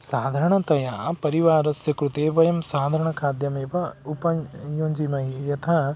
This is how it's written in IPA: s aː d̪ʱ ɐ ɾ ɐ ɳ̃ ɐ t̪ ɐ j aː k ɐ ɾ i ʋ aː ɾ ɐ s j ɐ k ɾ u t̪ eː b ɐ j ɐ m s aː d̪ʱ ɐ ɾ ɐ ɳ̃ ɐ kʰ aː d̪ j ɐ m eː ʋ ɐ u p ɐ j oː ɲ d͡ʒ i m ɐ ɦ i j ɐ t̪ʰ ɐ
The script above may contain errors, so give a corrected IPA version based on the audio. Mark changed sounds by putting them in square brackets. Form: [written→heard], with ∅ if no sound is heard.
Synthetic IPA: s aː d̪ʱ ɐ ɾ ɐ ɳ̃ ɐ t̪ ɐ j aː [k→p] ɐ ɾ i ʋ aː ɾ ɐ s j ɐ k ɾ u t̪ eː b ɐ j ɐ m s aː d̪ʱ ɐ ɾ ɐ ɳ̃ ɐ kʰ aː d̪ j ɐ m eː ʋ ɐ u p ɐ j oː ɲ d͡ʒ i m ɐ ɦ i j ɐ t̪ʰ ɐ

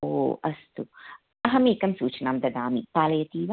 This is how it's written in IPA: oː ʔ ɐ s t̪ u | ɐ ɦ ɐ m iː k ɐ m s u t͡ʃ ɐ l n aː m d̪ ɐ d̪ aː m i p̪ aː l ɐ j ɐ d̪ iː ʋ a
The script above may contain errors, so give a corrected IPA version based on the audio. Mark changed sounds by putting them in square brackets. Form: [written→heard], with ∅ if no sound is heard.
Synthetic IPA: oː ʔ ɐ s t̪ u | ɐ ɦ ɐ m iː k ɐ m s [u→uː] t͡ʃ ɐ [l→∅] n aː m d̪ ɐ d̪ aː m i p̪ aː l ɐ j ɐ [d̪→t̪] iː ʋ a

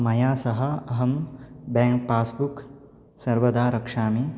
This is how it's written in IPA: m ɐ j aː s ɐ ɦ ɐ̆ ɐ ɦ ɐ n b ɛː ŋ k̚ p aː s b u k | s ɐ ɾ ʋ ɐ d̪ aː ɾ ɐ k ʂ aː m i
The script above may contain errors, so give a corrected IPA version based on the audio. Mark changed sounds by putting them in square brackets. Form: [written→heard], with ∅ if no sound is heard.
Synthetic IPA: m ɐ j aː s ɐ ɦ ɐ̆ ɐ ɦ ɐ [n→m] b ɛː ŋ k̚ p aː s b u k | s ɐ ɾ ʋ ɐ d̪ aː ɾ ɐ k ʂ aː m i

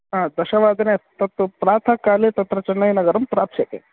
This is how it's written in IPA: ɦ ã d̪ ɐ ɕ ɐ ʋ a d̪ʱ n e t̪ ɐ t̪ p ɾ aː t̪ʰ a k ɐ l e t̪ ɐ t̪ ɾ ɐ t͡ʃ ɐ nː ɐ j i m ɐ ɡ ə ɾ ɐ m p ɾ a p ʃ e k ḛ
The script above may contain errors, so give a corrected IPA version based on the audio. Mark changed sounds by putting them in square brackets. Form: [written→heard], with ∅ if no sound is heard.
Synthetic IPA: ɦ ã d̪ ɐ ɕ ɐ ʋ a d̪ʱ n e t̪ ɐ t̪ p ɾ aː t̪ʰ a k [ɐ→a] l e t̪ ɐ t̪ ɾ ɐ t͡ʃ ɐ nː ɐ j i [m→n] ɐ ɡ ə ɾ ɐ m p ɾ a p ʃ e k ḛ

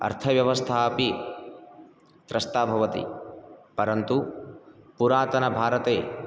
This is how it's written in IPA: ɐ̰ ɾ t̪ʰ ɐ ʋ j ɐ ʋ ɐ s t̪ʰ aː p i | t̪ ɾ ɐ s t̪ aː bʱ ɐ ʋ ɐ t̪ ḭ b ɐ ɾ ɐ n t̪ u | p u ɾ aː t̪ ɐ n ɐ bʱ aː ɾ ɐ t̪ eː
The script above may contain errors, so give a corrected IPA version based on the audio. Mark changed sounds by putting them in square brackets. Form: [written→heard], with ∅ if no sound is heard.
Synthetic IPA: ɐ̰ ɾ t̪ʰ ɐ ʋ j ɐ ʋ ɐ s t̪ʰ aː p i | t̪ ɾ ɐ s t̪ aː bʱ ɐ ʋ ɐ t̪ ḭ [b→p] ɐ ɾ ɐ n t̪ u | p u ɾ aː t̪ ɐ n ɐ bʱ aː ɾ ɐ t̪ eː

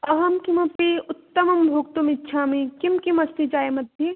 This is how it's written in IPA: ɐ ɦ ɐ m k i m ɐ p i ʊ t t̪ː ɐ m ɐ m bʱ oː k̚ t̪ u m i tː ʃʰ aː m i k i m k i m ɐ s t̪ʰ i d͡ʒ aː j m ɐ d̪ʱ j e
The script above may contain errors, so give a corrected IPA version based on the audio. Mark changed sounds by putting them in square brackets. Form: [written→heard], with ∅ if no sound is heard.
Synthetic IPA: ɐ ɦ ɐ m k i m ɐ p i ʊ t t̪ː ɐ m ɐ m bʱ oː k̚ t̪ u m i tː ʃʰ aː m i k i m k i m ɐ s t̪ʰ i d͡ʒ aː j m ɐ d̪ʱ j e

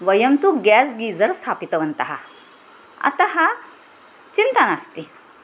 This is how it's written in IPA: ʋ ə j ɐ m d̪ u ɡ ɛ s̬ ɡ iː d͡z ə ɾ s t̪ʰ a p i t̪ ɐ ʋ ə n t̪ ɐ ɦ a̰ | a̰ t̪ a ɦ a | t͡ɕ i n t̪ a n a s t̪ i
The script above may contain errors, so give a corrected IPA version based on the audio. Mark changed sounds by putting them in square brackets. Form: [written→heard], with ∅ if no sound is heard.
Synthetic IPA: ʋ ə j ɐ m [d̪→t̪] u ɡ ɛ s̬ ɡ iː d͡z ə ɾ s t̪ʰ a p i t̪ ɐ ʋ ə n t̪ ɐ ɦ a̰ | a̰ t̪ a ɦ a | t͡ɕ i n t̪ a n a s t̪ i

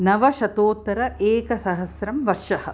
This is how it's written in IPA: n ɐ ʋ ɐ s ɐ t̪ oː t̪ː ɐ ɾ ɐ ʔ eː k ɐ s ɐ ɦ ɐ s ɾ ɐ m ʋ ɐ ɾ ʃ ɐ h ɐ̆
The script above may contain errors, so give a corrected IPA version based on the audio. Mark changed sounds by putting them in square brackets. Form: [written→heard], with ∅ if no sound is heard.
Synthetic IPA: n ɐ ʋ ɐ [s→ʃ] ɐ t̪ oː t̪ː ɐ ɾ ɐ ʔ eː k ɐ s ɐ ɦ ɐ s ɾ ɐ m ʋ ɐ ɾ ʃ ɐ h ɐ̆

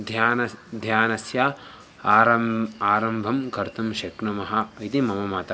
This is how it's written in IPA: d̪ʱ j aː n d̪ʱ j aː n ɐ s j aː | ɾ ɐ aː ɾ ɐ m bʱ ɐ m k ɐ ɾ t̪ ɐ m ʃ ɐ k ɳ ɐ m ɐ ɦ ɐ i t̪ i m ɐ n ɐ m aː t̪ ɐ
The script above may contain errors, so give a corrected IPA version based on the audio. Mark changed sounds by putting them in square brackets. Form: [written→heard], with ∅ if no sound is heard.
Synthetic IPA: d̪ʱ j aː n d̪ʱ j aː n ɐ s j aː | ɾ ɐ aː ɾ ɐ m bʱ ɐ m k ɐ ɾ t̪ ɐ m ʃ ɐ k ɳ ɐ m ɐ ɦ ɐ i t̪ i m ɐ [n→m] ɐ m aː t̪ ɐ

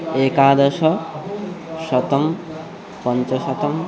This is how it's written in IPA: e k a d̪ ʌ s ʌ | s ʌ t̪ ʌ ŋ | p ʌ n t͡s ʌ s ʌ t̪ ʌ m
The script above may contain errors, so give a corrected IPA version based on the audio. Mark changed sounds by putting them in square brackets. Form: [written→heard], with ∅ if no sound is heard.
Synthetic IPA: e k a d̪ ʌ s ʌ | s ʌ t̪ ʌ [ŋ→m] | p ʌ n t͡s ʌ s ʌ t̪ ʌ m

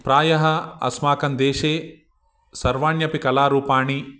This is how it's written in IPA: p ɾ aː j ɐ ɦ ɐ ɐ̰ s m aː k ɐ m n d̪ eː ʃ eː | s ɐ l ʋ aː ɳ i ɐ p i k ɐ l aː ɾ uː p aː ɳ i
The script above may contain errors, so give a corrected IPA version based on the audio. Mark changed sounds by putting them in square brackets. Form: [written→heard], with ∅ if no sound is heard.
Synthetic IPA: p ɾ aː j ɐ ɦ ɐ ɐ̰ s m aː k ɐ [m→∅] n d̪ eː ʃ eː | s ɐ [l→ɾ] ʋ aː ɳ [i→j] ɐ p i k ɐ l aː ɾ uː p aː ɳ i

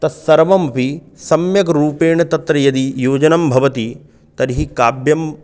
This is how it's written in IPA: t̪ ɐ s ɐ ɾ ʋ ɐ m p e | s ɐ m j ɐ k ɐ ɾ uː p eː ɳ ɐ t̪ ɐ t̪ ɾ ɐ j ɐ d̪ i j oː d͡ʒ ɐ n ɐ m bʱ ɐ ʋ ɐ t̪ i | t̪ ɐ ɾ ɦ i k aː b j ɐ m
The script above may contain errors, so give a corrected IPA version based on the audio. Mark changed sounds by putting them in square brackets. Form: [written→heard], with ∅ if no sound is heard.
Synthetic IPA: t̪ ɐ s ɐ ɾ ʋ ɐ m p [e→i] | s ɐ m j ɐ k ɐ ɾ uː p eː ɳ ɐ t̪ ɐ t̪ ɾ ɐ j ɐ d̪ i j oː d͡ʒ ɐ n ɐ m bʱ ɐ ʋ ɐ t̪ i | t̪ ɐ ɾ ɦ i k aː b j ɐ m

